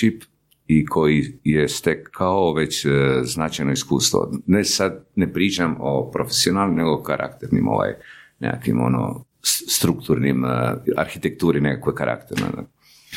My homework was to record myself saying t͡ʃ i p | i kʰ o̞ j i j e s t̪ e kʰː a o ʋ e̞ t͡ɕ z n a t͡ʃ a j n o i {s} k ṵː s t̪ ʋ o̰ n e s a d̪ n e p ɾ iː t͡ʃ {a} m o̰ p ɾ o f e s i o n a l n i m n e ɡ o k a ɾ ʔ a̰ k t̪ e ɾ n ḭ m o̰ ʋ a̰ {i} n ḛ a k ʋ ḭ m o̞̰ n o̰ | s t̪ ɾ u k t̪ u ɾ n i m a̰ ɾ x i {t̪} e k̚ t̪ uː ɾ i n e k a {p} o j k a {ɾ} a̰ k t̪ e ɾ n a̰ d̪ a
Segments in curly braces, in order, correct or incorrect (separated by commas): correct, correct, incorrect, correct, incorrect, correct